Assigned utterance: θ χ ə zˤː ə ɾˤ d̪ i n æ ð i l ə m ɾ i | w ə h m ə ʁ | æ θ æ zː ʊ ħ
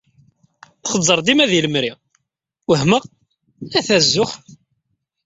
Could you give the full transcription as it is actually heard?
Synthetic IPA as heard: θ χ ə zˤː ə ɾˤ d̪ i m æ ð i l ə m ɾ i | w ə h m ə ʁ | æ θ æ zː ʊ χ